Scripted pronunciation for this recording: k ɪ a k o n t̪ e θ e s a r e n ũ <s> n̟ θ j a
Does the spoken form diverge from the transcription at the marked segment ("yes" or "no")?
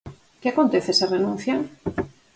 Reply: yes